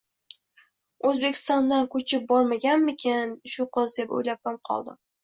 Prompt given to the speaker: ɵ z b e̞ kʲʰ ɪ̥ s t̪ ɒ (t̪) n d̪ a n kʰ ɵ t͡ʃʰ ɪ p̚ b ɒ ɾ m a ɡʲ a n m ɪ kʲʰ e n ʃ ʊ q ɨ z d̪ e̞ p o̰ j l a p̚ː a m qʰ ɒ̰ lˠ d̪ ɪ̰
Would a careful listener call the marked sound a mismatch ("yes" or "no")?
yes